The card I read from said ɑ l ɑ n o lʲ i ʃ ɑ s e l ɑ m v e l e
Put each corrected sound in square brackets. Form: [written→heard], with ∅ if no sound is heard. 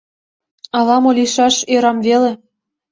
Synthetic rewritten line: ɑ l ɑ [n→m] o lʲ i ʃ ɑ [s→ʃ] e [l→ɾ] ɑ m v e l e